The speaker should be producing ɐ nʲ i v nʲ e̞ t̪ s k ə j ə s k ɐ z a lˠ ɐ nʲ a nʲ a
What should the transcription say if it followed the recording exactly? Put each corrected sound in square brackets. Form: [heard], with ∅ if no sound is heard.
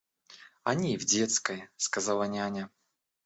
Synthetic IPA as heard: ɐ nʲ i v [dʲ] e̞ t̪ s k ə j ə s k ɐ z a lˠ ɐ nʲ a nʲ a